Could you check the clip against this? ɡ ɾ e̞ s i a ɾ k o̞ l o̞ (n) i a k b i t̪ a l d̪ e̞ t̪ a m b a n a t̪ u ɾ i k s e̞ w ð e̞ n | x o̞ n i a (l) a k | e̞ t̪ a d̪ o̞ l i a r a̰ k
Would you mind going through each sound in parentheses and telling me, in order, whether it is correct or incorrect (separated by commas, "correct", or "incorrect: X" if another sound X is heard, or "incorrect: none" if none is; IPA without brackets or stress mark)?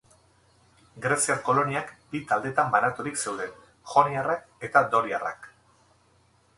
correct, incorrect: r